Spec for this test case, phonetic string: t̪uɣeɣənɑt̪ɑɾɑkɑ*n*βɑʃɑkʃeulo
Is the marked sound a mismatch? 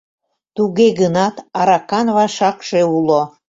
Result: no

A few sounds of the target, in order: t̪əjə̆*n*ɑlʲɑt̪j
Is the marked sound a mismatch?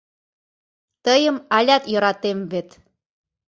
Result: yes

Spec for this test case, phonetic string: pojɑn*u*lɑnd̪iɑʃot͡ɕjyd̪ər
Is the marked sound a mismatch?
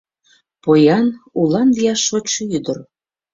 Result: no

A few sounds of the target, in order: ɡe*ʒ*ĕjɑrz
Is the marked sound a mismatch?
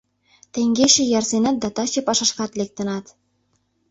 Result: yes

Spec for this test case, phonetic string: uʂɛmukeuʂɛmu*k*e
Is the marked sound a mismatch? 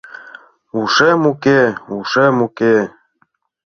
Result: no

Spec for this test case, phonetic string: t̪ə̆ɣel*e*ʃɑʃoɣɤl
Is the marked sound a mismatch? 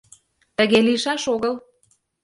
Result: yes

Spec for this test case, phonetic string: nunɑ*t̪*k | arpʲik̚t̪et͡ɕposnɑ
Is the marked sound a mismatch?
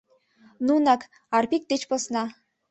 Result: yes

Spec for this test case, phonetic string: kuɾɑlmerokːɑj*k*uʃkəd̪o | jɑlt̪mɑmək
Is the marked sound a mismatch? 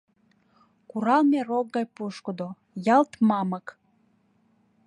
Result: yes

